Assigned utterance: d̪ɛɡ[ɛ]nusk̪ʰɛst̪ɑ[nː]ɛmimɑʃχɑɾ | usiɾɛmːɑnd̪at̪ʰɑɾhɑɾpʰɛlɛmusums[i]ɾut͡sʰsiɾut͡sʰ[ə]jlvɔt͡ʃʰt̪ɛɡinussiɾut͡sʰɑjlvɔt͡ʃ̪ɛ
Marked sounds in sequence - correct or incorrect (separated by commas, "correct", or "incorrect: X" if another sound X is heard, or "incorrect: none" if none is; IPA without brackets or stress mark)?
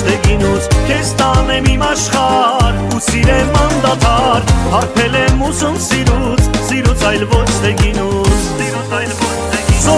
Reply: incorrect: i, incorrect: n, correct, incorrect: ɑ